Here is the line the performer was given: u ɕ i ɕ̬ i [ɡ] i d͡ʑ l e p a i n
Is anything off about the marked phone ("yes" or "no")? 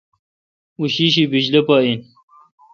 yes